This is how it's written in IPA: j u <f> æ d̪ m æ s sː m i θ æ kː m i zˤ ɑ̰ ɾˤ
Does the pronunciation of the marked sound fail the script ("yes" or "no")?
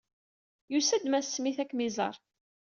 yes